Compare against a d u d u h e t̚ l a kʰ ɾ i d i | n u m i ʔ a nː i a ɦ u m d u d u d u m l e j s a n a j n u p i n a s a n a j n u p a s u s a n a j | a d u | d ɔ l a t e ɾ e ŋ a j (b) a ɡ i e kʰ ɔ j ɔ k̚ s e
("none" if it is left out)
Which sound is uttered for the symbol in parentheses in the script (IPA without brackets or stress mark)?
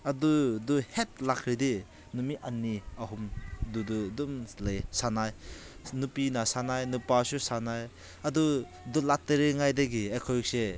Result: d